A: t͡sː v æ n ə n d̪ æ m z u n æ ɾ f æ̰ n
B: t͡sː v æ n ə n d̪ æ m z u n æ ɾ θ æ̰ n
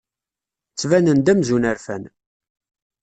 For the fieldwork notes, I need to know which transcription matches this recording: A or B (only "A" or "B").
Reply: A